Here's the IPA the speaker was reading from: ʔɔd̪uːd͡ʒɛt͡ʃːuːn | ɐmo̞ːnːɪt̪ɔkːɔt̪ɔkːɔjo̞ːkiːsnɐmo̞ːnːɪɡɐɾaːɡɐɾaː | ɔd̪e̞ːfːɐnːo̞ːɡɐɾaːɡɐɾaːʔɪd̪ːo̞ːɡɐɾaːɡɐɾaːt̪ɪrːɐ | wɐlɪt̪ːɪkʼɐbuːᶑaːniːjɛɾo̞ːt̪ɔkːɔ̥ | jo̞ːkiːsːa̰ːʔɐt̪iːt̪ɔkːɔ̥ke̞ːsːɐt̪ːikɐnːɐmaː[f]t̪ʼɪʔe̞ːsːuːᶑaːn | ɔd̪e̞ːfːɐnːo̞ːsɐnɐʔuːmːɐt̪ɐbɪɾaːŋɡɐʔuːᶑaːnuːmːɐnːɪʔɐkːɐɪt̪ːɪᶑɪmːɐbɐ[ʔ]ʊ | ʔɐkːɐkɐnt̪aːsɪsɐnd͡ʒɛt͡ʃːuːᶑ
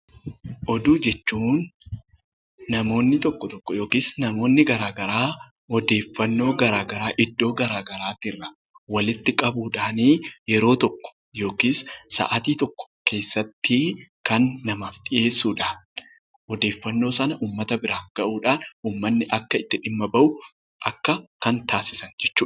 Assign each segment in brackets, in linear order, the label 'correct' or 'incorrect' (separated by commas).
correct, correct